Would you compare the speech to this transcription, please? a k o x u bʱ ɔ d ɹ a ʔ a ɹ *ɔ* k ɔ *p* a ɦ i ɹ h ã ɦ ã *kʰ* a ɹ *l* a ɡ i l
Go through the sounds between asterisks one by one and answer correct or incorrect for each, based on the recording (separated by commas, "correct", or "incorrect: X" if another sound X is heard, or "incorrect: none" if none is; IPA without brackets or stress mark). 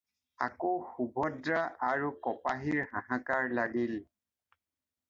incorrect: u, correct, incorrect: k, correct